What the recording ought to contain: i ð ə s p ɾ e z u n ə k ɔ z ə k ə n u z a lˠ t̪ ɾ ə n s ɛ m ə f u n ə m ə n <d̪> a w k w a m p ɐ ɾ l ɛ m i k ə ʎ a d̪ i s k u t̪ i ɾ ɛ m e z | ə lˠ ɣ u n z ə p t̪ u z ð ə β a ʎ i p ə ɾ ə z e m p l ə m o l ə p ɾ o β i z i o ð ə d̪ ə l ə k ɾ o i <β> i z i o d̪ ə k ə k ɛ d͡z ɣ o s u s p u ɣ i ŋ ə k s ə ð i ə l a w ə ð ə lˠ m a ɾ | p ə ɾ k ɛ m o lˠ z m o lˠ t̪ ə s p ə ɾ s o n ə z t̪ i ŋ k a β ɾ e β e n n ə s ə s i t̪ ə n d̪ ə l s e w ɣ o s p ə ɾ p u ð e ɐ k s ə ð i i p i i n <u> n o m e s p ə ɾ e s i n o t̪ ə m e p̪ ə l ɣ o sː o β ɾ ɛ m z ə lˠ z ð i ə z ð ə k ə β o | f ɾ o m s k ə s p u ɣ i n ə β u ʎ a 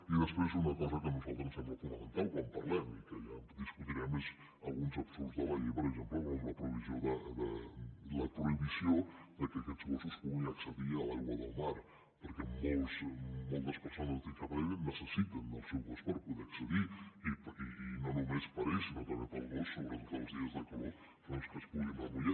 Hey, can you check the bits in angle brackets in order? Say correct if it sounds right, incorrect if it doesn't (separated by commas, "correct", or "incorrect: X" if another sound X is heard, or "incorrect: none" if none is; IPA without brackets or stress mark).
incorrect: t̪, correct, incorrect: o